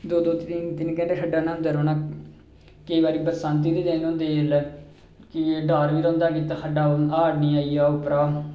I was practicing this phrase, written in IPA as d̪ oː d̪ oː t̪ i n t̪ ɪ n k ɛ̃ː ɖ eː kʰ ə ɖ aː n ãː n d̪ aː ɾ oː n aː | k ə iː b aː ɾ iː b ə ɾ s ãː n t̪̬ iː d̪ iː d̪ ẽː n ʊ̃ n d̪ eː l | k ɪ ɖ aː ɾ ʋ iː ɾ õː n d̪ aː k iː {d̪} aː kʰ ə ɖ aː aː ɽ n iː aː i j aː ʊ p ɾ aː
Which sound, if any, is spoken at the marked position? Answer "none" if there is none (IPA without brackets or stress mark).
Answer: t̪